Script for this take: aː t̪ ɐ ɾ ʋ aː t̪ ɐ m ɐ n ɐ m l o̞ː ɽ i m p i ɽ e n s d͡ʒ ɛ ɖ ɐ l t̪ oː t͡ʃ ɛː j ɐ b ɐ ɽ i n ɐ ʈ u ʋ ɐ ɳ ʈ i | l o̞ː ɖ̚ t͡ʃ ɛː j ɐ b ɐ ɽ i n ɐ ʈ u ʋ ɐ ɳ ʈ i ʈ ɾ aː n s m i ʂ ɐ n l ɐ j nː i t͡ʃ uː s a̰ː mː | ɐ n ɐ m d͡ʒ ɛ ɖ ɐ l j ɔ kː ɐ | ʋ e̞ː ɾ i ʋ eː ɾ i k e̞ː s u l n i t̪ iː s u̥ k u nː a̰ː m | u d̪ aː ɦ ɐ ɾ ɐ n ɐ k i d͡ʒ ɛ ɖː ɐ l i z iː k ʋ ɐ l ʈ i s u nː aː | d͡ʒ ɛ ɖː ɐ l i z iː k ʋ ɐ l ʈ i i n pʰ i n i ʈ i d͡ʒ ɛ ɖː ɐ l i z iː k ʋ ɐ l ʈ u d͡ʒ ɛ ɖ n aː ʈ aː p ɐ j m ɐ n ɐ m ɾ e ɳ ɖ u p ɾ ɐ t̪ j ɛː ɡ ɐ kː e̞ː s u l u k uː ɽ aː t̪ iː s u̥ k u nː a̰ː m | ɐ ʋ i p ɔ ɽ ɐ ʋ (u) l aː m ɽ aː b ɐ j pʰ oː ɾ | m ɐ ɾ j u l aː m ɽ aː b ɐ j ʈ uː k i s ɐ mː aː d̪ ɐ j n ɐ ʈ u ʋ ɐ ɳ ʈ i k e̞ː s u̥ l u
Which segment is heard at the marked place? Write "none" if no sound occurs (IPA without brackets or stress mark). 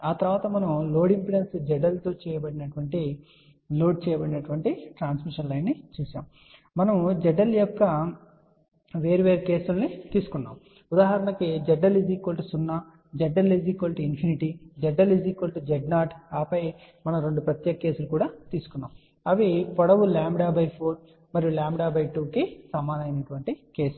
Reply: u